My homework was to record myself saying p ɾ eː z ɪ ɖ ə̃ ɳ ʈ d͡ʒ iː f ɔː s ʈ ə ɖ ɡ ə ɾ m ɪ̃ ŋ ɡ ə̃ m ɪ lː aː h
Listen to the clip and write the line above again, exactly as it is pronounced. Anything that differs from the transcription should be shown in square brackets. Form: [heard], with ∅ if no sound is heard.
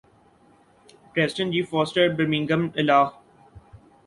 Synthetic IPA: p ɾ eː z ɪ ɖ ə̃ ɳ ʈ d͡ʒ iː f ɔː s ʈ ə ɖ [b] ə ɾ m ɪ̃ ŋ ɡ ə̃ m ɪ [l] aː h